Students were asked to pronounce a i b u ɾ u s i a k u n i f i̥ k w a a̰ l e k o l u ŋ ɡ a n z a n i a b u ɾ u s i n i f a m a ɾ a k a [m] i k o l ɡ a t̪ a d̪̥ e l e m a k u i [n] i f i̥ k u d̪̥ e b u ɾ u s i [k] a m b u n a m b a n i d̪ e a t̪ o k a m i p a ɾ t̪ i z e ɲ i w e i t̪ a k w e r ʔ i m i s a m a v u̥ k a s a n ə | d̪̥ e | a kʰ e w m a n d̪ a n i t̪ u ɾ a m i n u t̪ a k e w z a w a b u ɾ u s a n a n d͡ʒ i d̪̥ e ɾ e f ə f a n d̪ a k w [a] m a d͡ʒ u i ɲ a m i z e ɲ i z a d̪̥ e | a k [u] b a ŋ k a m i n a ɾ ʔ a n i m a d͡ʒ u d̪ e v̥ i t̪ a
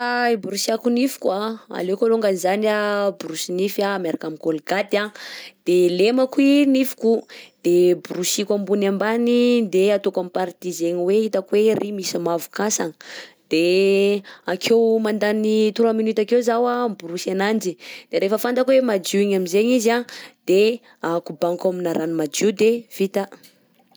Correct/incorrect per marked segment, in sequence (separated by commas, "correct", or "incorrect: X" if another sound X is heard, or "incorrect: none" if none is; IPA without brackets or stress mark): correct, correct, correct, incorrect: e, correct